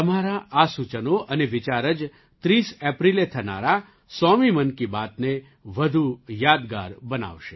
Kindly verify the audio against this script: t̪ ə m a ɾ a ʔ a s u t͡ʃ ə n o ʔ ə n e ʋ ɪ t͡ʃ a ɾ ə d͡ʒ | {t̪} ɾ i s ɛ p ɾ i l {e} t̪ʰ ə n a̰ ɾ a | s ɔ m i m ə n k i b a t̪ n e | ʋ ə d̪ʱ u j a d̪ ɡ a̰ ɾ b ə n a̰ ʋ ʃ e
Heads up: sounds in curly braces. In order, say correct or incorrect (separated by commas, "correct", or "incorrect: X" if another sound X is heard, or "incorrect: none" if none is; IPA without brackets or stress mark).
correct, correct